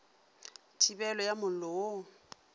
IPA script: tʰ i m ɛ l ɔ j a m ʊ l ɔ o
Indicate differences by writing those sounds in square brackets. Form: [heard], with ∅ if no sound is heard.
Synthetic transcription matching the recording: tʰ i [b] ɛ l ɔ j a m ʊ l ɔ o